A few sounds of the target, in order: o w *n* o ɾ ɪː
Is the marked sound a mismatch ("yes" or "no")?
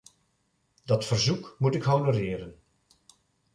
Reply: no